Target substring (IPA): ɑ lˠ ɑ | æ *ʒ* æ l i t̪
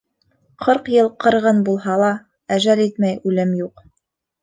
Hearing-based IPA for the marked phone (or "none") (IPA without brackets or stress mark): ʒ